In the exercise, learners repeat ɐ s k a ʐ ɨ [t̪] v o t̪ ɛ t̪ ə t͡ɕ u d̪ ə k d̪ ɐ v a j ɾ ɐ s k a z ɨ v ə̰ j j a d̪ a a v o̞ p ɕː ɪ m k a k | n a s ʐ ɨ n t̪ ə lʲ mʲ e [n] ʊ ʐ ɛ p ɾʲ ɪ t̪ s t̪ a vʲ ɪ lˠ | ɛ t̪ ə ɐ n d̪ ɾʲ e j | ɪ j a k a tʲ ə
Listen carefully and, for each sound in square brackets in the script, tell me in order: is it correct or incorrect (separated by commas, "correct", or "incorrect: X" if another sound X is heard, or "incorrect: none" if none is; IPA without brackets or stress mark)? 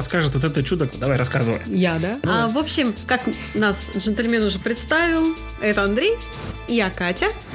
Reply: correct, correct